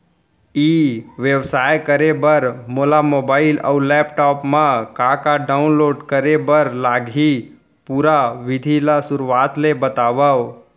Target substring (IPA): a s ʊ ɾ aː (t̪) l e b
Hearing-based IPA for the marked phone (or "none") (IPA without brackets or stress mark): t̪